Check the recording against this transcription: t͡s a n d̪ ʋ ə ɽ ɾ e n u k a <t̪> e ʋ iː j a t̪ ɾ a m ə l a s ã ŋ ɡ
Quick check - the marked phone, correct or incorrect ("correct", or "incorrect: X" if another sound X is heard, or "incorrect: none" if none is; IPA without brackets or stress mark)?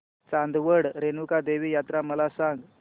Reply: incorrect: d̪